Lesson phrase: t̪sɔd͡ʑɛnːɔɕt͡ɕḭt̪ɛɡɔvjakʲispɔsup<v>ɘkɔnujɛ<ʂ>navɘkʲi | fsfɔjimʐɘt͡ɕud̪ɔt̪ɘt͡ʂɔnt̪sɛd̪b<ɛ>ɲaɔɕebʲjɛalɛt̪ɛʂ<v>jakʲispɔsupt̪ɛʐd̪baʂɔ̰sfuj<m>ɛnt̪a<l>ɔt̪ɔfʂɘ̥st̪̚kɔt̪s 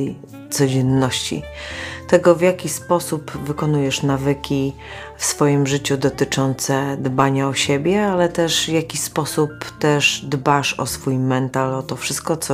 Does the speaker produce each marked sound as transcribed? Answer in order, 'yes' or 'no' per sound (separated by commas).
yes, yes, no, yes, yes, yes